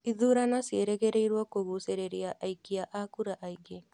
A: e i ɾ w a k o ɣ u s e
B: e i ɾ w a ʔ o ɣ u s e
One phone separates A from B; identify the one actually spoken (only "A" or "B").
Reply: A